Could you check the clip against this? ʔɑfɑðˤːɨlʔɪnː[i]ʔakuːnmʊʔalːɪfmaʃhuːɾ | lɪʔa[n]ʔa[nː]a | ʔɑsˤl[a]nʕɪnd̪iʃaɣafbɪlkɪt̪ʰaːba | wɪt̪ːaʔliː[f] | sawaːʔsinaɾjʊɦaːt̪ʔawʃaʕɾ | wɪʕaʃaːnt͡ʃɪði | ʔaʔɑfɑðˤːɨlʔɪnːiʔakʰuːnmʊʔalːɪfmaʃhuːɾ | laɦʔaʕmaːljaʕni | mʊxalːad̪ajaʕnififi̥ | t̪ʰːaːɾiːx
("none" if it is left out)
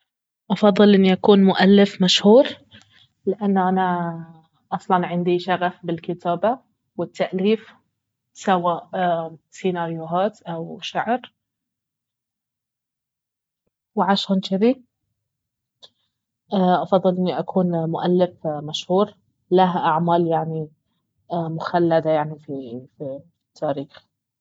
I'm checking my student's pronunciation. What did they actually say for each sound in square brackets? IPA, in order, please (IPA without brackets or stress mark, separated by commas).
i, nː, n, ɑ, f